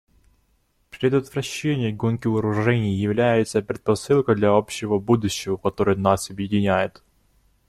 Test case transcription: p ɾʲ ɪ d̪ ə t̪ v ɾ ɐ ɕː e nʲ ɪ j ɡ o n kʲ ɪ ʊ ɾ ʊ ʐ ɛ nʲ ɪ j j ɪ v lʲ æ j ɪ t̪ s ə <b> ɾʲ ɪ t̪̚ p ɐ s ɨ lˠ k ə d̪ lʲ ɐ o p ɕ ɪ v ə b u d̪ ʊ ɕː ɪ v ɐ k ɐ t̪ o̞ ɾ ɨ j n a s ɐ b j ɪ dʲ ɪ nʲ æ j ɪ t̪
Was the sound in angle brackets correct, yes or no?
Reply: no